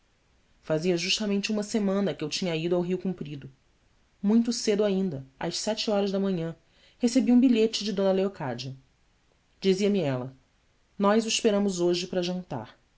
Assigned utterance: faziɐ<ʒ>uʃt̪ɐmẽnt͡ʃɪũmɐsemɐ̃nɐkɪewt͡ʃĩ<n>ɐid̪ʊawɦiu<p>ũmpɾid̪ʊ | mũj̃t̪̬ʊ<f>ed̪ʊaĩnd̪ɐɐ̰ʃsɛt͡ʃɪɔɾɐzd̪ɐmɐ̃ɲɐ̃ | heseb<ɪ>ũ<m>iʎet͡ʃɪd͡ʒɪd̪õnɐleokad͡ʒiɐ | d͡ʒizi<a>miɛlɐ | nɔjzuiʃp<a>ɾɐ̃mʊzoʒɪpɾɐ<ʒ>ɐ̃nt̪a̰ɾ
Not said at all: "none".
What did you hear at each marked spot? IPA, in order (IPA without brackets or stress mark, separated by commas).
ʒ, ɲ, k, s, i, b, ɐ, e, ʒ